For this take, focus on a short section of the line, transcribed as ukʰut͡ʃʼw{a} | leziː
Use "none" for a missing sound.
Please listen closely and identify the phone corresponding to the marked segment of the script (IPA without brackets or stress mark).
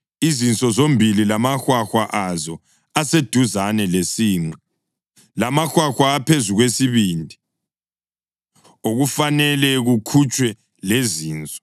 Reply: ɛ